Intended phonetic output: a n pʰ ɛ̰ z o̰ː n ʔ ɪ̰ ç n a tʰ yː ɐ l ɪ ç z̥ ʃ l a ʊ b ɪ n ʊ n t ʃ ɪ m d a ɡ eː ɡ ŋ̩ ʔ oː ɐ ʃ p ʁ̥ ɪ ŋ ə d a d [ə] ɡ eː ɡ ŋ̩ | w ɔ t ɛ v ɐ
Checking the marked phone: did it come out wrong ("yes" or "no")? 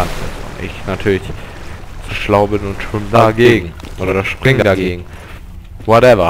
yes